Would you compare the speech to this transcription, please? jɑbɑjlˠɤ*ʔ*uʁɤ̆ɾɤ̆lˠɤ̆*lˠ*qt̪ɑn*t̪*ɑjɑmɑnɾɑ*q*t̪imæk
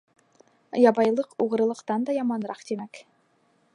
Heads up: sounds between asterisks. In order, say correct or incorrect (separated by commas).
incorrect, incorrect, incorrect, correct